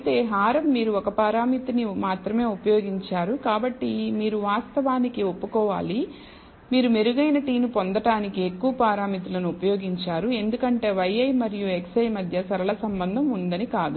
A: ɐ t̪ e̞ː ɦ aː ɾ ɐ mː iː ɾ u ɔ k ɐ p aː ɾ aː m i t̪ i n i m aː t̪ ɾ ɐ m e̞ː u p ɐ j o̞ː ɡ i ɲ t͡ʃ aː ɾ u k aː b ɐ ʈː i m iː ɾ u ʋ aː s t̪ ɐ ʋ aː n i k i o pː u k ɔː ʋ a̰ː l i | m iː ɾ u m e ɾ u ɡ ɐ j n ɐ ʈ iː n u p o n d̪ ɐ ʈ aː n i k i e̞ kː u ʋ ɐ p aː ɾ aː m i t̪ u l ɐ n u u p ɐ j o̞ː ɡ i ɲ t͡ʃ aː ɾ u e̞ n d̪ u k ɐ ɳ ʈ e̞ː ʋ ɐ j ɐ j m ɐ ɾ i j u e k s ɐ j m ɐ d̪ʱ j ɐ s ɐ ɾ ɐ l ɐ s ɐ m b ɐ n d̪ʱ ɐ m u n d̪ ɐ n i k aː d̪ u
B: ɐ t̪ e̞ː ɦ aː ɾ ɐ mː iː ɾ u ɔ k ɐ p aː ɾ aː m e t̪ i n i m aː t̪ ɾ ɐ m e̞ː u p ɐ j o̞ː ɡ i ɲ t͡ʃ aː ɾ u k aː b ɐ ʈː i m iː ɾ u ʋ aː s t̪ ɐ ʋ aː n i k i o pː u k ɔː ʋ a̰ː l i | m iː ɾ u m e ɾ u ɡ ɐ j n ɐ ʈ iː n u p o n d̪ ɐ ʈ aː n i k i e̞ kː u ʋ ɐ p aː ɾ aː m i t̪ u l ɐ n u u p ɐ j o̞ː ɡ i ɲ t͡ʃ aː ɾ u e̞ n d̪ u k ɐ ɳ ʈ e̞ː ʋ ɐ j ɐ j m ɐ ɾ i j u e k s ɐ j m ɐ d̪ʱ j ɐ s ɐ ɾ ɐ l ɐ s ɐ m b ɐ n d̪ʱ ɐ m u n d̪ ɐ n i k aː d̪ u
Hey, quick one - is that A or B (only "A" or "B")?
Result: A